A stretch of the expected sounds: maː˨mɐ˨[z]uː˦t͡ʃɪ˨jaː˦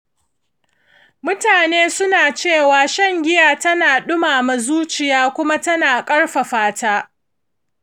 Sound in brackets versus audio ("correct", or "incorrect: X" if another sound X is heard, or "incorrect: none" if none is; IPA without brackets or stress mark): correct